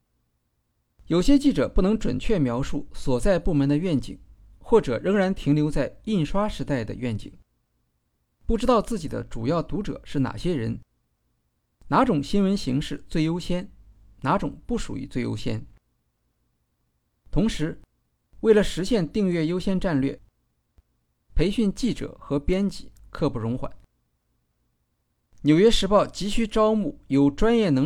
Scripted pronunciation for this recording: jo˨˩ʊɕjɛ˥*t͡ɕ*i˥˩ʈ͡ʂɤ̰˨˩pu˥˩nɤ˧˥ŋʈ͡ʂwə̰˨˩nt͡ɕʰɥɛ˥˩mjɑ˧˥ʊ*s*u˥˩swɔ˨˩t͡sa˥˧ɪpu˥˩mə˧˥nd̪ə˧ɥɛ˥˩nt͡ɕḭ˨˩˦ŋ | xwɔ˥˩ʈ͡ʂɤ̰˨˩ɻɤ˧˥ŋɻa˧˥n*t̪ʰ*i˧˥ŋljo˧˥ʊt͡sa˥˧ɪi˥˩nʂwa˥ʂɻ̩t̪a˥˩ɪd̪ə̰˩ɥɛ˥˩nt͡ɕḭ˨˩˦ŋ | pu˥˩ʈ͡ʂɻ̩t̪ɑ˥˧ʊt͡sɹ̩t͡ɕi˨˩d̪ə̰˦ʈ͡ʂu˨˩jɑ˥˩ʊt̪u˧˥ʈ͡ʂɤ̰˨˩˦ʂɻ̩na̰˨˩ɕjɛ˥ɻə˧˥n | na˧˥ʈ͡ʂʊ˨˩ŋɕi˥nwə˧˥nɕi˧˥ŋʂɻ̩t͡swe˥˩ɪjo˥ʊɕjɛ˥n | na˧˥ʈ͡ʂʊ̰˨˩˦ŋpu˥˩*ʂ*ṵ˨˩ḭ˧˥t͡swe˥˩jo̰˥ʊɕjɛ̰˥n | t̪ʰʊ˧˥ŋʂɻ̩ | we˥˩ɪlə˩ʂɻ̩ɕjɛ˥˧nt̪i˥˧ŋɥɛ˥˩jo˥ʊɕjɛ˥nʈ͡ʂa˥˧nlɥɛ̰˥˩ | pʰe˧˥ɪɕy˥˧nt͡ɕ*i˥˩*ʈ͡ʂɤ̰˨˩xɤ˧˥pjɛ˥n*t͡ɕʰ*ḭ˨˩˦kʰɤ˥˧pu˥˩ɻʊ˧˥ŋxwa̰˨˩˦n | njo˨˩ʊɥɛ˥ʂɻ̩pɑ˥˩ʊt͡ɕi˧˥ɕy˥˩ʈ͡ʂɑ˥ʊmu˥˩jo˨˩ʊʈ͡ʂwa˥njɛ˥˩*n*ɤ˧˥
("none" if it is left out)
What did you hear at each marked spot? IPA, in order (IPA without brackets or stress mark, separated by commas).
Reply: t͡ɕ, ʂ, t̪ʰ, ʂ, i˥˩, t͡ɕ, n